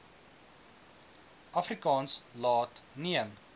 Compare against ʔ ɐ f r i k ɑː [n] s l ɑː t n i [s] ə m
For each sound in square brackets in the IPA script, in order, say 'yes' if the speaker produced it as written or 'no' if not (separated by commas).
yes, no